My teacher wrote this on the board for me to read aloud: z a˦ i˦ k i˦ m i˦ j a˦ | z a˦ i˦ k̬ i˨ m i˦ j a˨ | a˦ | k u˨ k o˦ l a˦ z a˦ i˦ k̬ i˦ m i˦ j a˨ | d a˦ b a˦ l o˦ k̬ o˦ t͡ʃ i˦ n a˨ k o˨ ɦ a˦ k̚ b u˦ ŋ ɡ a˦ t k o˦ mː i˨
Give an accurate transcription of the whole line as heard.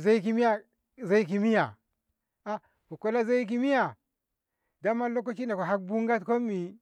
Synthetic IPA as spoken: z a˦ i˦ k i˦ m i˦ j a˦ | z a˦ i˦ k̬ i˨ m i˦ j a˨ | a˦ | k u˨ k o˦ l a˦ z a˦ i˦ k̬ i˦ m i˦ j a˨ | d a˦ m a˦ l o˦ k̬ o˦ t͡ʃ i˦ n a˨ k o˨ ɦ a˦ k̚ b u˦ ŋ ɡ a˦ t k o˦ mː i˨